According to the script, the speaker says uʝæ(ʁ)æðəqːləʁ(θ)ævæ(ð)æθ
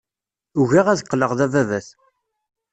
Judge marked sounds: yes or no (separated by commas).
yes, no, no